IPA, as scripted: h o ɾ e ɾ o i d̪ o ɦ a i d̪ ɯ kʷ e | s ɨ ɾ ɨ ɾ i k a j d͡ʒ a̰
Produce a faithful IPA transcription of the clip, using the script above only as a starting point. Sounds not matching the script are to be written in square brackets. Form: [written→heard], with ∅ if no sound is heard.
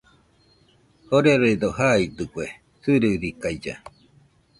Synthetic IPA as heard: h o ɾ e ɾ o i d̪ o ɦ a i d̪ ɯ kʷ e | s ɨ ɾ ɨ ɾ i k a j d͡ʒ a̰